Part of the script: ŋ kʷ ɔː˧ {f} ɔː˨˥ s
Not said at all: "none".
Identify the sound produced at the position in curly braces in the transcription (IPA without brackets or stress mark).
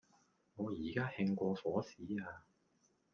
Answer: f